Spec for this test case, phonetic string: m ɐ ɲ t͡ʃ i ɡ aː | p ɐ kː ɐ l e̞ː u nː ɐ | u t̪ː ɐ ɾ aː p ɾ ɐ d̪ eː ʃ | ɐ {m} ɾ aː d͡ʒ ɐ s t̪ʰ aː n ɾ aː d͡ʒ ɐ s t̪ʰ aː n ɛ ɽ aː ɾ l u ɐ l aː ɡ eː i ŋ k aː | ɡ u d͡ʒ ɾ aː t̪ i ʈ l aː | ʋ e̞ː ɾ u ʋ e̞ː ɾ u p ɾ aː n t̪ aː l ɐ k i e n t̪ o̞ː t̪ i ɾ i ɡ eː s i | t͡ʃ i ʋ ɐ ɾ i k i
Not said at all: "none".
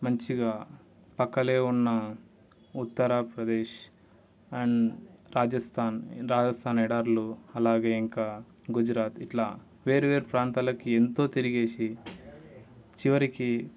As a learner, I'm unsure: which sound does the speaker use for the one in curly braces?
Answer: ɳ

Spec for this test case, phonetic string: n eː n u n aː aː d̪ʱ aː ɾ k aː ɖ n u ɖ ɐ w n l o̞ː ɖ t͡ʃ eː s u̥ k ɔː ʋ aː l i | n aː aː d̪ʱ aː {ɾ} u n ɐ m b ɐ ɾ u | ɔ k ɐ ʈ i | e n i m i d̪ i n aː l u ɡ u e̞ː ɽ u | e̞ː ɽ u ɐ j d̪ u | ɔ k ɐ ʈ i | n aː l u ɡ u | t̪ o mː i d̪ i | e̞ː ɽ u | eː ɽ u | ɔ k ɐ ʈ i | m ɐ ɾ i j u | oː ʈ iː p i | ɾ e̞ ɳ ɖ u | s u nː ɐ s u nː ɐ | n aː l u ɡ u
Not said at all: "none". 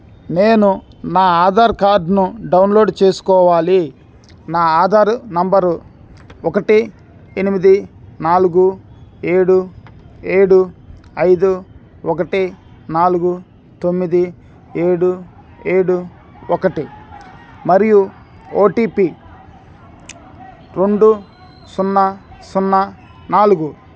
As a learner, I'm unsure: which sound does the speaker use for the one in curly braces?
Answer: ɾ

